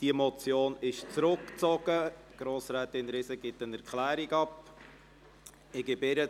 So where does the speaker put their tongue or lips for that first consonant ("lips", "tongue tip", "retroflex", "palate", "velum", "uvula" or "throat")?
tongue tip